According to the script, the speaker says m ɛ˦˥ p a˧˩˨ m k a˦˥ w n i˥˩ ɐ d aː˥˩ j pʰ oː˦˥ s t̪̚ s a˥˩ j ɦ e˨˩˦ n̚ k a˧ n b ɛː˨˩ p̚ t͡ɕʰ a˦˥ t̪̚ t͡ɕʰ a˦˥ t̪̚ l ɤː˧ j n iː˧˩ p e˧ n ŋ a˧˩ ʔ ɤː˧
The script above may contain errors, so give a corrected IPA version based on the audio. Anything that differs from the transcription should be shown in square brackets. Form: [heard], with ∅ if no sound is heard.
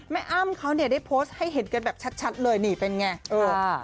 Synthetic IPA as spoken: m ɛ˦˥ [ʔ] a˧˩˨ m [kʰ] a˦˥ w n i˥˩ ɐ d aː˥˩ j pʰ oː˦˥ s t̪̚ [h] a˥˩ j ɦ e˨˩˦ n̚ k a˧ n b ɛː˨˩ p̚ t͡ɕʰ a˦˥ t̪̚ t͡ɕʰ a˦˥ t̪̚ l ɤː˧ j n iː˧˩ p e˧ n ŋ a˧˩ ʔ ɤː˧